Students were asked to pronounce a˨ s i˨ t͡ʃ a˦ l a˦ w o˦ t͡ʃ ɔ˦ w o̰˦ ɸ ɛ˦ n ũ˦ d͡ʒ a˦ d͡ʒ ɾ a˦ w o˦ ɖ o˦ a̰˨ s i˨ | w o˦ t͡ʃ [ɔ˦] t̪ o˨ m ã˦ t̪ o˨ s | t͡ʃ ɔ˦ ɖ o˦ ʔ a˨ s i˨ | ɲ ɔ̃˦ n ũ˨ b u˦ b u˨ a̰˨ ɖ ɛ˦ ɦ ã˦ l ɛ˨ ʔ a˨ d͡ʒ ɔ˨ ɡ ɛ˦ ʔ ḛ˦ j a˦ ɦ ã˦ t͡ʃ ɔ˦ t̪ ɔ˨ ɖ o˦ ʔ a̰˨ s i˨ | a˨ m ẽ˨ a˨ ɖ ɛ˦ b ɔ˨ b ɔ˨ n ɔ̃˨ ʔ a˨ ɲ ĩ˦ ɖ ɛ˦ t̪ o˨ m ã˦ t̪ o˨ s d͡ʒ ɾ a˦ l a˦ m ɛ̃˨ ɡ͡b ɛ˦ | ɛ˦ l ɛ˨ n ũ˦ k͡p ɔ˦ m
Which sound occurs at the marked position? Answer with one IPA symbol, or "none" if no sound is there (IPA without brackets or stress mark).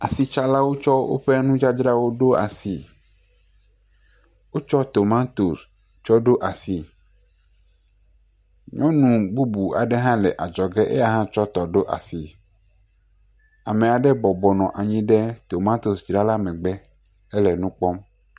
ɔ˦